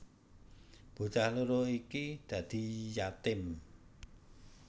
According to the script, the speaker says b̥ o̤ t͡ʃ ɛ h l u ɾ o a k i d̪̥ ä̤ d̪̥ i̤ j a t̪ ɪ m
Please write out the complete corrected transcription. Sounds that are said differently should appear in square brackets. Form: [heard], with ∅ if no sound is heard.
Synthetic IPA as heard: b̥ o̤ t͡ʃ [a] h l u ɾ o [i] k i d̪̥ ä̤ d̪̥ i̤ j a t̪ ɪ m